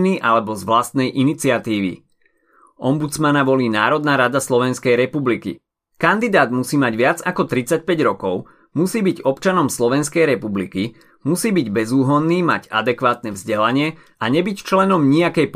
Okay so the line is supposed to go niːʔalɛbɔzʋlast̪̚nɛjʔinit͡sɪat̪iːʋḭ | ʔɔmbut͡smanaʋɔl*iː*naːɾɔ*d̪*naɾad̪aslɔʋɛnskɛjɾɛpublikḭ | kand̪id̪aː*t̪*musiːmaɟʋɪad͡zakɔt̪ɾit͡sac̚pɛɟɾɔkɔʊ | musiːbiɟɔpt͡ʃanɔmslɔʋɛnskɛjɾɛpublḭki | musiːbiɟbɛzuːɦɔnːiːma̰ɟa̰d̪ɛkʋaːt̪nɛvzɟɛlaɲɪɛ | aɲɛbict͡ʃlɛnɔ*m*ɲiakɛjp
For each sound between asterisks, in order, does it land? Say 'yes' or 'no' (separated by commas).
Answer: yes, yes, no, yes